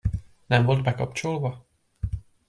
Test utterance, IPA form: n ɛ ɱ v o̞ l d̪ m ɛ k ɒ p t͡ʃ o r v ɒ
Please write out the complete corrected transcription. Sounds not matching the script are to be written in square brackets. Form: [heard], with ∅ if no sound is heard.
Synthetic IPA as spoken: n ɛ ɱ v o̞ l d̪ [b] ɛ k ɒ p t͡ʃ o [l] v ɒ